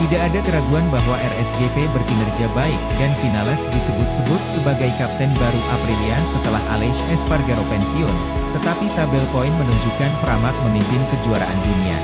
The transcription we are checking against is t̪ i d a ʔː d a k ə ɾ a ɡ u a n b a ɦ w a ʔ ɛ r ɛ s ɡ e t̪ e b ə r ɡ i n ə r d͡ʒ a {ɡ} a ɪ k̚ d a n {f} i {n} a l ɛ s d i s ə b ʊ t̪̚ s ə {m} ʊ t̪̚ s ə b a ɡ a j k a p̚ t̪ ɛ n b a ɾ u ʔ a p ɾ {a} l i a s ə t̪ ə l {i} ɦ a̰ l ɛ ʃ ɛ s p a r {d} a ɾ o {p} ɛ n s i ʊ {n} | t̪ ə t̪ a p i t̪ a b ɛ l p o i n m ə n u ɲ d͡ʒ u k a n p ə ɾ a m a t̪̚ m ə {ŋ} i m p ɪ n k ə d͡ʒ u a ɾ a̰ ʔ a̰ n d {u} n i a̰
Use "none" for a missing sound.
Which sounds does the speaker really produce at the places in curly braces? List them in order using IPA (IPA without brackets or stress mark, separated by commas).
b, f, n, b, i, a, ɡ, p, n, m, u